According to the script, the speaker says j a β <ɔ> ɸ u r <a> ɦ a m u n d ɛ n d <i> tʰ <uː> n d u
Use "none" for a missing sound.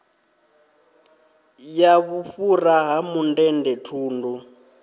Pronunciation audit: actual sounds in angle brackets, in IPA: u, a, ɛ, uː

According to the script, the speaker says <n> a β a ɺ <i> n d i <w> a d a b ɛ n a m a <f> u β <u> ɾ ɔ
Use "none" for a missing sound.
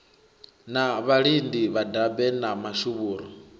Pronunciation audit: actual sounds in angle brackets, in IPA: n, i, β, ʃ, uː

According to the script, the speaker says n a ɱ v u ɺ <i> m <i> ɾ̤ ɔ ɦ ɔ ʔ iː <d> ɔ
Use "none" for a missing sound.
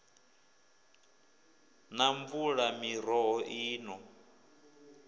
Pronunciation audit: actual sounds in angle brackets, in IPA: a, i, n

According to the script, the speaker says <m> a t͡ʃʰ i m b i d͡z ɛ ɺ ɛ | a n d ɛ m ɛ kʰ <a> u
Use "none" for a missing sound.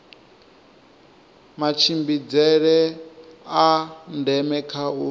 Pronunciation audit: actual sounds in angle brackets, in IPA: m, a

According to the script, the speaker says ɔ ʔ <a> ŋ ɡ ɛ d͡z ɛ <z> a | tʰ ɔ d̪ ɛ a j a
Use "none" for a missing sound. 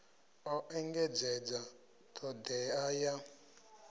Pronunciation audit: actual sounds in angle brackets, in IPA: ɛ, d͡z

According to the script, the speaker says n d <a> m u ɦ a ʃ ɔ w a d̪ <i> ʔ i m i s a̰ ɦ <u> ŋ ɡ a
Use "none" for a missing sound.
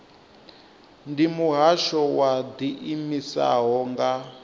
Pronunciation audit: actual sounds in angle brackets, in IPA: i, i, ɔ

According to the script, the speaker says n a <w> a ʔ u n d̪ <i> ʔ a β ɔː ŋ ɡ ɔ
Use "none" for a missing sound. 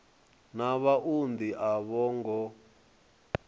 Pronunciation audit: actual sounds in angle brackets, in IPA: β, i

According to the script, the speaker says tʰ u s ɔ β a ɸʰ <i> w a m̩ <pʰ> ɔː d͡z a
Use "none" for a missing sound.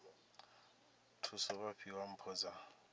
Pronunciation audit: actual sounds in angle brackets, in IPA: i, pʰ

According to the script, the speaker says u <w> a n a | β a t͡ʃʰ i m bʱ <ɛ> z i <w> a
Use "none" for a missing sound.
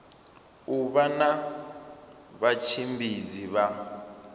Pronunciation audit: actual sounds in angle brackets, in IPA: β, i, β

